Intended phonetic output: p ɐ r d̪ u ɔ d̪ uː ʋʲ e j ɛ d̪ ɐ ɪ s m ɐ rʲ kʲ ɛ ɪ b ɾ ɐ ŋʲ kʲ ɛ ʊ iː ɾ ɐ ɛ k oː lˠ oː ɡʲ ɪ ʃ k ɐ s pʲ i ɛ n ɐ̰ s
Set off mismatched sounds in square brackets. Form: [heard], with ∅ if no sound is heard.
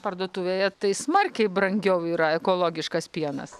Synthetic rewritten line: p ɐ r d̪ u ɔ [t̪] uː ʋʲ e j ɛ [t̪] ɐ ɪ s m ɐ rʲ kʲ ɛ ɪ b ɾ ɐ ŋʲ [ɡʲ] ɛ ʊ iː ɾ ɐ ɛ k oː lˠ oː ɡʲ ɪ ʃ k ɐ s pʲ i ɛ n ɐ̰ s